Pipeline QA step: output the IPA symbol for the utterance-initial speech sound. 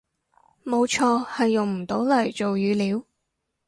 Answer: m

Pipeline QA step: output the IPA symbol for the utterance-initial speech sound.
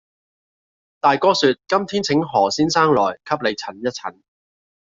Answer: t̪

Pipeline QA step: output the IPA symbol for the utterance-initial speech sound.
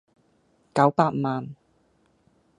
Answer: k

